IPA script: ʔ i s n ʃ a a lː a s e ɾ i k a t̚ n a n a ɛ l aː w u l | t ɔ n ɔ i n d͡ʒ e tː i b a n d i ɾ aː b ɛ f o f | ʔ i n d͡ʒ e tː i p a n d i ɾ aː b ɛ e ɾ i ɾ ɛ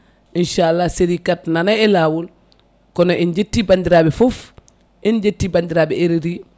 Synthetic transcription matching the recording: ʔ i n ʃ a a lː a s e ɾ i k a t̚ n a n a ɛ l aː w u l | k ɔ n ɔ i n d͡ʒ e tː i b a n d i ɾ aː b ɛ f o f | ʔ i n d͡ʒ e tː i b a n d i ɾ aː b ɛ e ɾ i ɾ i

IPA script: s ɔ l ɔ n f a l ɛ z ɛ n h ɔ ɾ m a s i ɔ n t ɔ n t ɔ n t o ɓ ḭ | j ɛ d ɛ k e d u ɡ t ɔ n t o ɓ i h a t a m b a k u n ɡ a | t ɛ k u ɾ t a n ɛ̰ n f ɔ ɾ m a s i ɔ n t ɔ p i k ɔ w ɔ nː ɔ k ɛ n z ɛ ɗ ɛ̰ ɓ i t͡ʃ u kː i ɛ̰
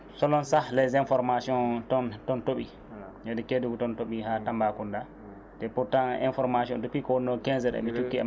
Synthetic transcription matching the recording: s ɔ l ɔ n s a l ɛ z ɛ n f ɔ ɾ m a s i ɔ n t ɔ n t ɔ n t o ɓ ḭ | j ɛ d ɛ k e d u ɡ t ɔ n t o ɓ i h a t a m b a k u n d a | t ɛ p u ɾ t a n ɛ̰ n f ɔ ɾ m a s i ɔ n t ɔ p i k ɔ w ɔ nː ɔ k ɛ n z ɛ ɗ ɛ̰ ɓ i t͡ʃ u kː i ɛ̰

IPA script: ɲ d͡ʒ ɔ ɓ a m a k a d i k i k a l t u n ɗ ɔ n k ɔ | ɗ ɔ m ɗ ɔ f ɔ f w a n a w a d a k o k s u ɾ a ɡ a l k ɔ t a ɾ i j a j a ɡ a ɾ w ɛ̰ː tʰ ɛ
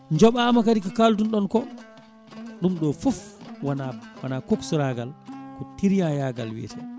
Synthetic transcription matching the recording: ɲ d͡ʒ ɔ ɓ a m a k a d i k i k a l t u n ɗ ɔ n k ɔ | ɗ u m ɗ ɔ f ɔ f w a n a w a n a k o k s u ɾ a ɡ a l k ɔ t i ɾ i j a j a ɡ a l w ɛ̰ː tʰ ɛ

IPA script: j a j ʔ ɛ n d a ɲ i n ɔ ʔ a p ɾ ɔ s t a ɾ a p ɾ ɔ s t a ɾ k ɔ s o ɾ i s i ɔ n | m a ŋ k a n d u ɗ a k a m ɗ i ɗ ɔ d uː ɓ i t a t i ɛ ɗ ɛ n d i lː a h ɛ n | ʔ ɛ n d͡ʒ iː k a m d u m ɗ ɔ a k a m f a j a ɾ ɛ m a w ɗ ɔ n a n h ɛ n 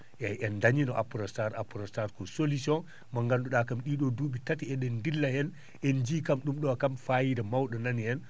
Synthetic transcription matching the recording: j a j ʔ ɛ n d a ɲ i n ɔ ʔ a p ɾ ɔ s t a ɾ a p ɾ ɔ s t a ɾ k ɔ s o l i s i ɔ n | m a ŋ ɡ a n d u ɗ a k a m ɗ i ɗ ɔ d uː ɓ i t a t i ɛ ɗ ɛ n d i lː a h ɛ n | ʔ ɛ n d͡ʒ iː k a m ɗ u m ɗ ɔ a k a m f a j i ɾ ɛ m a w ɗ ɔ n a n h ɛ n

